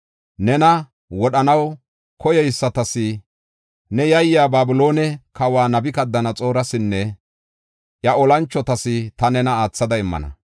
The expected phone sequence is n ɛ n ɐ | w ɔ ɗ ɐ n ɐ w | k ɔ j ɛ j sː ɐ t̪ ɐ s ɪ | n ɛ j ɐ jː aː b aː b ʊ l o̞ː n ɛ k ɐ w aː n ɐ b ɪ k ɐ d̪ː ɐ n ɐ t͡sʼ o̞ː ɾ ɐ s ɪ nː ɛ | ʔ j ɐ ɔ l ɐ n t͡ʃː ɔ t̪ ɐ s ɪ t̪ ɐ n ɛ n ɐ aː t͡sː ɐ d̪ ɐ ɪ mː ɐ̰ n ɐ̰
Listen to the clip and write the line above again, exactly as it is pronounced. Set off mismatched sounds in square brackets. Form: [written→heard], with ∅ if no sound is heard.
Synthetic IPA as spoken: n ɛ n ɐ | w ɔ ɗ ɐ n ɐ w | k ɔ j ɛ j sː ɐ t̪ ɐ s ɪ | n ɛ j ɐ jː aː b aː b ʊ l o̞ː n ɛ k ɐ w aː n ɐ b ɪ k ɐ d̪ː ɐ n ɐ t͡sʼ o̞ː ɾ ɐ s ɪ nː ɛ | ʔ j ɐ ɔ l ɐ n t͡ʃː ɔ t̪ ɐ s ɪ t̪ ɐ n ɛ n ɐ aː t͡sː ɐ d̪ ɐ ɪ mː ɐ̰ n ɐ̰